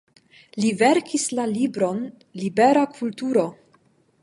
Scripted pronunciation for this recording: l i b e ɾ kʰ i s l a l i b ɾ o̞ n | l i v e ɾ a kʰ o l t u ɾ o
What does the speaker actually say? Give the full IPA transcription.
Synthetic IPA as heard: l i v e ɾ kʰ i s l a l i b ɾ o̞ n | l i b e ɾ a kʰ u l t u ɾ o